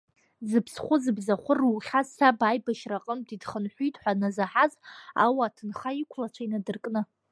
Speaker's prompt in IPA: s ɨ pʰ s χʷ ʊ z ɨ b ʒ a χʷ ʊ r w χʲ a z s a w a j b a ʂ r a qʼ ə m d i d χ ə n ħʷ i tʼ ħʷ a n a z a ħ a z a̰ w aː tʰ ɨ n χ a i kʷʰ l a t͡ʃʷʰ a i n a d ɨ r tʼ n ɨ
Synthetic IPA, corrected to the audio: z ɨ pʰ s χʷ ʊ z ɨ b z a χʷ ʊ r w χʲ a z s a b a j b a ʃ r a qʼ ə m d i d χ ə n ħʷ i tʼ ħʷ a n a z a ħ a z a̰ w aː tʰ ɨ n χ a i kʷʰ l a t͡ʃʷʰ a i n a d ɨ r kʼ n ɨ